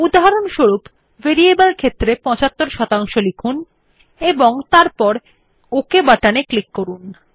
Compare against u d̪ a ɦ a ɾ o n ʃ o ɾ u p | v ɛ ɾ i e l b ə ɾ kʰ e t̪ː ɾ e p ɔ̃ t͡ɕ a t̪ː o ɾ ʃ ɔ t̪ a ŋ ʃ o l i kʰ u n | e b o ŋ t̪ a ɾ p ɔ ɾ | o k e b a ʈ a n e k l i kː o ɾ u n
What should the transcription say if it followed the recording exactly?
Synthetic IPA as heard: u d̪ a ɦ a ɾ o n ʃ o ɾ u p | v e ɾ i e b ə l kʰ e t̪ː ɾ e p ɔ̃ t͡ɕ a t̪ː o ɾ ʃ ɔ t̪ a ŋ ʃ o l i kʰ u n | e b o ŋ t̪ a ɾ p ɔ ɾ | o k e b a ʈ a n e k l i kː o ɾ u n